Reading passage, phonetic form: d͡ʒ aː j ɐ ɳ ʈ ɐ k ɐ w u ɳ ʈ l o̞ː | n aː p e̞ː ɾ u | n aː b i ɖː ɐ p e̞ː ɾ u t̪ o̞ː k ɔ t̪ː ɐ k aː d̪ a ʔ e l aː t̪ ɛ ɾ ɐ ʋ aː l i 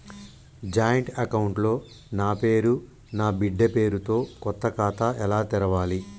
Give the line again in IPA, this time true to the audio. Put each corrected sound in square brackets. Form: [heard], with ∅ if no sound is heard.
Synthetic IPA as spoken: d͡ʒ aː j ɐ ɳ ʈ ɐ k ɐ w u ɳ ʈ l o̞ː | n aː p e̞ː ɾ u | n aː b i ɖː ɐ p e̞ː ɾ u t̪ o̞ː k ɔ t̪ː ɐ k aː [t̪] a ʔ [ɛ] l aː t̪ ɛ ɾ ɐ ʋ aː l i